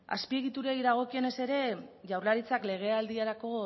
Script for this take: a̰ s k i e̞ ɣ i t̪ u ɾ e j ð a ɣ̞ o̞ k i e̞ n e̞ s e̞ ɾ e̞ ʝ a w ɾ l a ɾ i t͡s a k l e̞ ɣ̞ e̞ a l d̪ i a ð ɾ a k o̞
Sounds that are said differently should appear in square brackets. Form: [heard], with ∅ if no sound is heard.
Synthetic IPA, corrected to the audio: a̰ s [p] i e̞ ɣ i t̪ u ɾ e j ð a ɣ̞ o̞ k i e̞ n e̞ s e̞ ɾ e̞ ʝ a w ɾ l a ɾ i t͡s a k l e̞ ɣ̞ e̞ a l d̪ i a [∅] ɾ a k o̞